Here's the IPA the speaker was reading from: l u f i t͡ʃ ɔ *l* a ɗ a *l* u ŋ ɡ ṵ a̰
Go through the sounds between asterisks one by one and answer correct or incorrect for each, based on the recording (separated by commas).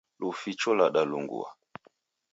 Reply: correct, correct